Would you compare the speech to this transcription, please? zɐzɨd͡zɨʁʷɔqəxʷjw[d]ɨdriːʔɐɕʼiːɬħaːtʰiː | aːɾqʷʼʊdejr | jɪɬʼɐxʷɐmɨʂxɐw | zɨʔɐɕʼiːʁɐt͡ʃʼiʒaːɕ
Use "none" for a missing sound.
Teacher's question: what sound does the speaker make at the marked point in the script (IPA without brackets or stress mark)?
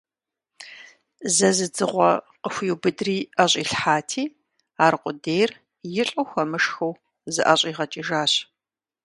b